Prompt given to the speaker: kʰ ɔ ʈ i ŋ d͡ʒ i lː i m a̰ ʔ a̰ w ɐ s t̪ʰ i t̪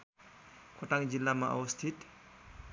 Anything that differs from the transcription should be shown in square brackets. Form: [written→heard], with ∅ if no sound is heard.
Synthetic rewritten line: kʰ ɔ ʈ [i→a] ŋ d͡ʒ i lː [i→a] m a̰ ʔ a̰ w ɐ s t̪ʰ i t̪